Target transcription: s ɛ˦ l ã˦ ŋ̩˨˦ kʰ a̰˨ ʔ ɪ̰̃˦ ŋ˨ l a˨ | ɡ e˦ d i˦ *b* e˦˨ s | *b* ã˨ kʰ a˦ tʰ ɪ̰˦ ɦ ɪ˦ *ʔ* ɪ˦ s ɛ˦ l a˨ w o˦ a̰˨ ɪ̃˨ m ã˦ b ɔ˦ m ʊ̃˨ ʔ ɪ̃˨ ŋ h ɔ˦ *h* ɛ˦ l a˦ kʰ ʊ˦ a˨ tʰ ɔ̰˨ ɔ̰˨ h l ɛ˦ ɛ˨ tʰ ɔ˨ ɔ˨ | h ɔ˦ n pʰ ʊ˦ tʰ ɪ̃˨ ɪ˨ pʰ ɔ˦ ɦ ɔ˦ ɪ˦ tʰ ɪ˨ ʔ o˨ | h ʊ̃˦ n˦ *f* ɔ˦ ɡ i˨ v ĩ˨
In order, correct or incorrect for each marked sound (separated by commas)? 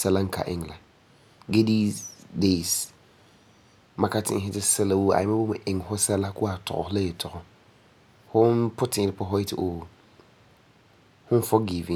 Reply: incorrect, incorrect, incorrect, incorrect, correct